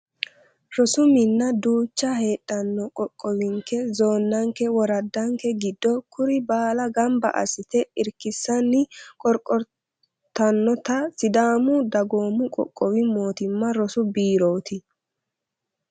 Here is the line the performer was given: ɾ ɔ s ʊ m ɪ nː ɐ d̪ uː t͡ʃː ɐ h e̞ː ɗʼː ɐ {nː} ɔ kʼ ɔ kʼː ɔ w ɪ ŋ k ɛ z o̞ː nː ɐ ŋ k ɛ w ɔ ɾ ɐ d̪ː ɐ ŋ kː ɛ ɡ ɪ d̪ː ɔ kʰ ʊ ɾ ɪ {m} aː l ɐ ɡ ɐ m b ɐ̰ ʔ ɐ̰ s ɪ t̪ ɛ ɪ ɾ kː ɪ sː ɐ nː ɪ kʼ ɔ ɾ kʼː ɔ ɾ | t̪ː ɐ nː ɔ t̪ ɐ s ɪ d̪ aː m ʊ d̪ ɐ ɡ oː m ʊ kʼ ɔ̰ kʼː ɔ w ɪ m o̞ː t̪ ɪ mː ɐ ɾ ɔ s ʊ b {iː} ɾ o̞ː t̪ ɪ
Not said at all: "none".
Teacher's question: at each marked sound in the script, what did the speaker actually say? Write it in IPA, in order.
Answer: nː, b, iː

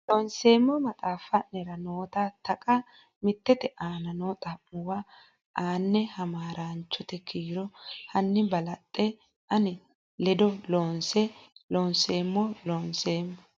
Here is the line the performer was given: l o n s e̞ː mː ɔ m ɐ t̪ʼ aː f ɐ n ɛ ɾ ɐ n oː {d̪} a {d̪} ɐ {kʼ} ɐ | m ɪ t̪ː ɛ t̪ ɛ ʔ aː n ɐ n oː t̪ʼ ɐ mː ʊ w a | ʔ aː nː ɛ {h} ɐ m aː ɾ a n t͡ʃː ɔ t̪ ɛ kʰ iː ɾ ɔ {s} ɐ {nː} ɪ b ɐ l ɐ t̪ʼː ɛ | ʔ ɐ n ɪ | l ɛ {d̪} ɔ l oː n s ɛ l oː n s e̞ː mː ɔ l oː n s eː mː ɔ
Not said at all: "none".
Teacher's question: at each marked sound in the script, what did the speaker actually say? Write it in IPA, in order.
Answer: t̪, t̪, kʼ, h, h, nː, d̪

